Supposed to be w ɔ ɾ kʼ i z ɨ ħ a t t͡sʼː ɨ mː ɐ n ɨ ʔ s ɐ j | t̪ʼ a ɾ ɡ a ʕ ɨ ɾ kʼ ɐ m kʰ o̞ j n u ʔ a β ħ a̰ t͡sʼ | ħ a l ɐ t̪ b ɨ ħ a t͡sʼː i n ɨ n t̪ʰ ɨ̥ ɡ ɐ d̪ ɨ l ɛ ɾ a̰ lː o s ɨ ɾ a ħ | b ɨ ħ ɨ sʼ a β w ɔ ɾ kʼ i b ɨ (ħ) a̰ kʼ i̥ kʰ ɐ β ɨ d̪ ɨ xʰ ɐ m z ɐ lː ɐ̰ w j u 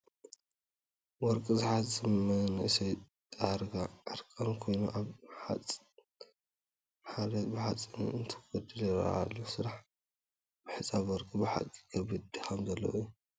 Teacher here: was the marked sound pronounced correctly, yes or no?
yes